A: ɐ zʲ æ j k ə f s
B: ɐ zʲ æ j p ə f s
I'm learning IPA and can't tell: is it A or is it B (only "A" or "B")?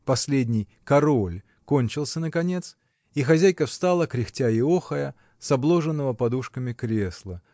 A